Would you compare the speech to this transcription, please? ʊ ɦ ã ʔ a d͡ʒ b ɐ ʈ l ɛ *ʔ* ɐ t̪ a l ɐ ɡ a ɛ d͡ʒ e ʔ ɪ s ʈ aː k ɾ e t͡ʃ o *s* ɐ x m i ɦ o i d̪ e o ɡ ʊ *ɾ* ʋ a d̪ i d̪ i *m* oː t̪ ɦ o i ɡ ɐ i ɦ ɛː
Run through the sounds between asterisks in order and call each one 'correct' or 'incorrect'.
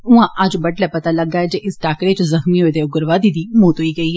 incorrect: p, incorrect: z, correct, correct

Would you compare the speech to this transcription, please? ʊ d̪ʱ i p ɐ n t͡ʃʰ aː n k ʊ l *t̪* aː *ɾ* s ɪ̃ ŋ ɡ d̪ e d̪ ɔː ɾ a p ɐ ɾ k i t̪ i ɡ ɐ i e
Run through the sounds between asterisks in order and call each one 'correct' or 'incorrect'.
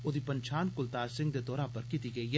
correct, correct

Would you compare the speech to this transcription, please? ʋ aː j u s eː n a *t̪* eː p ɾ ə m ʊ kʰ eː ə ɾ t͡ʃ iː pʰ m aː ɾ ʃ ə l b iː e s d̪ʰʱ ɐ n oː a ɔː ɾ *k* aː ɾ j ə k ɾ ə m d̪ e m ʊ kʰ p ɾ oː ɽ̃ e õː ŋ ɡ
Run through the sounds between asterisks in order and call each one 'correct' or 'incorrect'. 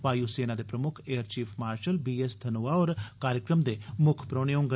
incorrect: d̪, correct

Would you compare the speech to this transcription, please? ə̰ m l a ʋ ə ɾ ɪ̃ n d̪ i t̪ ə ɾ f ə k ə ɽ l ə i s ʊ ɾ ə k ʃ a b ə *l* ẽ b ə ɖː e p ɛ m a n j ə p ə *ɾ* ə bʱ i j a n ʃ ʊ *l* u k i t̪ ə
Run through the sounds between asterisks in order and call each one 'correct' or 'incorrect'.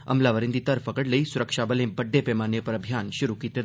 correct, correct, incorrect: ɾ

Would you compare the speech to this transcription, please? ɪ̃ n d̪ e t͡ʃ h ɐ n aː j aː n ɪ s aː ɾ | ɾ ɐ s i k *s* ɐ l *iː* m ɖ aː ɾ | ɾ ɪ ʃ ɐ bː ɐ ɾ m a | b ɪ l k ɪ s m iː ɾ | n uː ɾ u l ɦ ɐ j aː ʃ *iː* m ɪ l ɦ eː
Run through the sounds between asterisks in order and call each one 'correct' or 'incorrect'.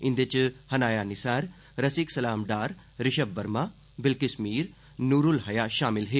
correct, incorrect: aː, incorrect: aː

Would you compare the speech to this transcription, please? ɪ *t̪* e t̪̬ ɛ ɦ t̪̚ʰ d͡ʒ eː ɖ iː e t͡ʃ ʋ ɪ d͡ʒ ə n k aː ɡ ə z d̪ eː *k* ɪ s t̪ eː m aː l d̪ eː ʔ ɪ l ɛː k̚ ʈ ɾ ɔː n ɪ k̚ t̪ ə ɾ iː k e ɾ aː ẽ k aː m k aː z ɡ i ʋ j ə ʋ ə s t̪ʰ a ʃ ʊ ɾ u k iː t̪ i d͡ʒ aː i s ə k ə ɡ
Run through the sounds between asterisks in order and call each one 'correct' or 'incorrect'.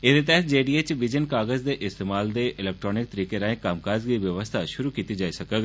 incorrect: d̪, incorrect: ʔ

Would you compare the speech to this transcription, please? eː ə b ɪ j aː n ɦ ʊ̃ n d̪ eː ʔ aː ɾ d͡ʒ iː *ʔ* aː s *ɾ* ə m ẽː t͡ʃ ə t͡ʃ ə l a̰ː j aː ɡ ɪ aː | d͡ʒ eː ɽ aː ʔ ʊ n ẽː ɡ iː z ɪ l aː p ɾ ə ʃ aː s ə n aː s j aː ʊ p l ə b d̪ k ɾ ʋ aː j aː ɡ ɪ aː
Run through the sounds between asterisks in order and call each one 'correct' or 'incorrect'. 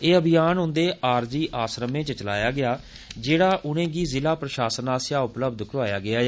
correct, correct

